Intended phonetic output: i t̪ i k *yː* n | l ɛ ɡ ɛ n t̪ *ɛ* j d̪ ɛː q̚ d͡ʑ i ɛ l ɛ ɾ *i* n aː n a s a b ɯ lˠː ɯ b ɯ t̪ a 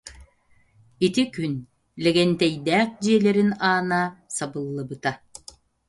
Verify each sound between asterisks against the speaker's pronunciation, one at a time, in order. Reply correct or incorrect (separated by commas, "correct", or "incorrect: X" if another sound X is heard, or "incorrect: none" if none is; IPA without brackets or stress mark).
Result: incorrect: y, correct, correct